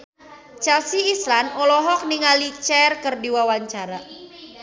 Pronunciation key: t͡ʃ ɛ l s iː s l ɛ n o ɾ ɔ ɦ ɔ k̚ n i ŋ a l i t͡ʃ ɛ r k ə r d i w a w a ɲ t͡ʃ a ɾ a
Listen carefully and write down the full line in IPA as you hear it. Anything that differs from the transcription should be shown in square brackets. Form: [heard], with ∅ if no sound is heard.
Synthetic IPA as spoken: t͡ʃ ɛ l s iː s l [a] n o [l] ɔ ɦ ɔ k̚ n i ŋ a l i t͡ʃ ɛ r k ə r d i w a w a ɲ t͡ʃ a ɾ a